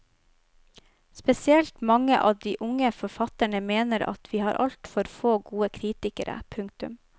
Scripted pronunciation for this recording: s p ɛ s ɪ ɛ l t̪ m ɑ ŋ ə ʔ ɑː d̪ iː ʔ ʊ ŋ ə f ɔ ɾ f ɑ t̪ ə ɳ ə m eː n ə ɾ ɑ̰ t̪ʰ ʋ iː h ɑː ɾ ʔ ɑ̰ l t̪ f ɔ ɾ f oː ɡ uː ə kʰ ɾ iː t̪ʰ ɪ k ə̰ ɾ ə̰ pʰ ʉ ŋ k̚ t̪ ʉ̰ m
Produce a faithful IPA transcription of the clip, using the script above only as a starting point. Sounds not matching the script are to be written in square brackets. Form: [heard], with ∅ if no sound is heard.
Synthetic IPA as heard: s p ɛ s ɪ ɛ l t̪ m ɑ ŋ ə ʔ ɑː d̪ iː ʔ ʊ ŋ ə f ɔ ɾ f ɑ t̪ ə ɳ ə m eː n ə ɾ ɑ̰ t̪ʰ ʋ iː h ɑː ɾ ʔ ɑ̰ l t̪ f ɔ ɾ f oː ɡ uː ə kʰ ɾ iː [t̪] ɪ k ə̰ ɾ ə̰ pʰ ʉ ŋ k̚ t̪ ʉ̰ m